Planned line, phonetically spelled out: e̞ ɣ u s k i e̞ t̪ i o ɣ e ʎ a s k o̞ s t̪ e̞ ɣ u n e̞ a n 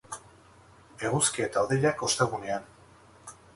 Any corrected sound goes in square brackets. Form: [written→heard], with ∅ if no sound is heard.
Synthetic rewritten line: e̞ ɣ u s k i e̞ t̪ [i→a] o [ɣ→ð] e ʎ a [s→∅] k o̞ s t̪ e̞ ɣ u n e̞ a n